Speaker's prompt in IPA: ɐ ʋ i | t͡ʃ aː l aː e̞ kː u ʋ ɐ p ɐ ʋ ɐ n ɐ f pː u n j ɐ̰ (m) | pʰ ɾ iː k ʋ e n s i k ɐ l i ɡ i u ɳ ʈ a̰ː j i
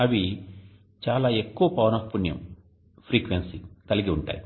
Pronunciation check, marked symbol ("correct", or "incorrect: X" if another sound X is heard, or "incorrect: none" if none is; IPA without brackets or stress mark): correct